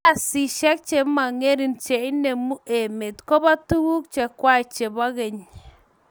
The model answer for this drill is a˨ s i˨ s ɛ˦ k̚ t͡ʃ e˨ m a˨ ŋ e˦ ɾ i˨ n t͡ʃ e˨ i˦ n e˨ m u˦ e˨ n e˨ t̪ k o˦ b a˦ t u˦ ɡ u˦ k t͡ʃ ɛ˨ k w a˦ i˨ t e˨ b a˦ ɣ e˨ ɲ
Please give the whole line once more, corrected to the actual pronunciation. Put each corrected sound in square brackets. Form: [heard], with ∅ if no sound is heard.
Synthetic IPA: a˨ s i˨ [ʃ] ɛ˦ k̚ t͡ʃ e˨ m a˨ ŋ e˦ ɾ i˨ n t͡ʃ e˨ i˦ n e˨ m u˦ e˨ [m] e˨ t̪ k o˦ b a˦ t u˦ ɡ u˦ k t͡ʃ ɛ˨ k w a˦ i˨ [t͡ʃ] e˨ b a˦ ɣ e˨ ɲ